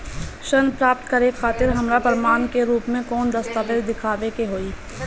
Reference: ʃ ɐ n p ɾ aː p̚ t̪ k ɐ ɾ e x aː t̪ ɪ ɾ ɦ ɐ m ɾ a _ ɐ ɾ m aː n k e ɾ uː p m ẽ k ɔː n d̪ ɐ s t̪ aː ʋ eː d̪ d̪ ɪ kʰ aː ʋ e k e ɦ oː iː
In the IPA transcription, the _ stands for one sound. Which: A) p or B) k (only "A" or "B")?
A